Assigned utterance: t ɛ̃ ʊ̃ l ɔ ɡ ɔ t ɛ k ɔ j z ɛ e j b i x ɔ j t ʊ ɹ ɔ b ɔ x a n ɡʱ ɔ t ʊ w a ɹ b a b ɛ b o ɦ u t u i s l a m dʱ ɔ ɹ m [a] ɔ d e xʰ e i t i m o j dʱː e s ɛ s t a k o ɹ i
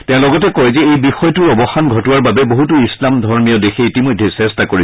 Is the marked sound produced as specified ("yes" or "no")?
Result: no